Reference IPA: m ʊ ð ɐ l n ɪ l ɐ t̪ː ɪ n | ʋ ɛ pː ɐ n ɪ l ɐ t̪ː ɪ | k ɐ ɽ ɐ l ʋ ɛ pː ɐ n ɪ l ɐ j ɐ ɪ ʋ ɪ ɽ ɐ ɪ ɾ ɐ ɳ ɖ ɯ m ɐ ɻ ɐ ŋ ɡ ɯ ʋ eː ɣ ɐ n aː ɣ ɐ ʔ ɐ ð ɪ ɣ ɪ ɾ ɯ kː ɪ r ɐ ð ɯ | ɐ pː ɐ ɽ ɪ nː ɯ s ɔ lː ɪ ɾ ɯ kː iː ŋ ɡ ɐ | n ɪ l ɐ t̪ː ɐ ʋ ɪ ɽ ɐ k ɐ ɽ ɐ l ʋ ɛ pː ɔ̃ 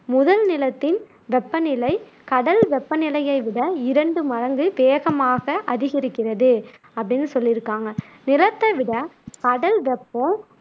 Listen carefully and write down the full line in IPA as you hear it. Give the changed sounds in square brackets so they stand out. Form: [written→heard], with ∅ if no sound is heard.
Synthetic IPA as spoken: m ʊ ð ɐ l n ɪ l ɐ t̪ː ɪ n | ʋ ɛ pː ɐ n ɪ l ɐ [t̪ː→∅] ɪ | k ɐ ɽ ɐ l ʋ ɛ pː ɐ n ɪ l ɐ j ɐ ɪ ʋ ɪ ɽ ɐ ɪ ɾ ɐ ɳ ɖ ɯ m ɐ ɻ ɐ ŋ ɡ ɯ ʋ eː ɣ ɐ [n→m] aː ɣ ɐ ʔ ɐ ð ɪ ɣ ɪ ɾ ɯ kː ɪ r ɐ ð ɯ | ɐ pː ɐ ɽ ɪ nː ɯ s ɔ lː ɪ ɾ ɯ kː [iː→aː] ŋ ɡ ɐ | n ɪ l ɐ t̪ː ɐ ʋ ɪ ɽ ɐ k ɐ ɽ ɐ l ʋ ɛ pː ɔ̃